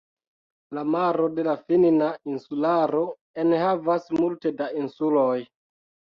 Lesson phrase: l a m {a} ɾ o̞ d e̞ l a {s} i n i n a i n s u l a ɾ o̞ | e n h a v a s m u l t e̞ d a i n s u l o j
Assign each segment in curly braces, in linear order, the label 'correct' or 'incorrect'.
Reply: correct, incorrect

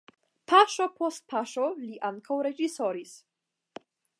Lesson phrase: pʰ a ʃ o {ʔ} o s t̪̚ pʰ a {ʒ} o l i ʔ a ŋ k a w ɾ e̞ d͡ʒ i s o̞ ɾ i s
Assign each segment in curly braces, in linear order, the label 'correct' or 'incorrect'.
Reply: incorrect, incorrect

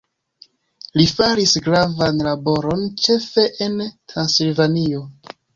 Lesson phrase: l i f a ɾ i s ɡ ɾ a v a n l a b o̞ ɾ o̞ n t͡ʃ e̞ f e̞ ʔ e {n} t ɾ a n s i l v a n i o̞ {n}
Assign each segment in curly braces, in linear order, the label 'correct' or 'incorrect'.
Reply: correct, incorrect

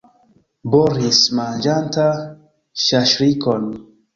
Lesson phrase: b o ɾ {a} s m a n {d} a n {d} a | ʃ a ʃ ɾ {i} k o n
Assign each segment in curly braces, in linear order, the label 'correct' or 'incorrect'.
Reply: incorrect, incorrect, incorrect, correct

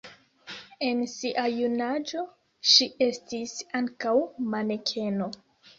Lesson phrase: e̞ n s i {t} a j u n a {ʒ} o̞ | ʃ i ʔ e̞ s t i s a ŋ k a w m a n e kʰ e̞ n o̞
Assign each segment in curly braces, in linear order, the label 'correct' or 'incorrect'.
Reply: incorrect, incorrect

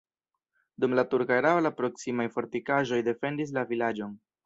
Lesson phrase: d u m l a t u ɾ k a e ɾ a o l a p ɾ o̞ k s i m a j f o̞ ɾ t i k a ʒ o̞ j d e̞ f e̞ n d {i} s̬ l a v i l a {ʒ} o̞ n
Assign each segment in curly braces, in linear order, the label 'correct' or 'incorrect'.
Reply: correct, incorrect

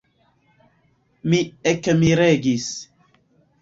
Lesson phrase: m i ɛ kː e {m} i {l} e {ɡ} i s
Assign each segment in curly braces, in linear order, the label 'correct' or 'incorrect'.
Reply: correct, incorrect, correct

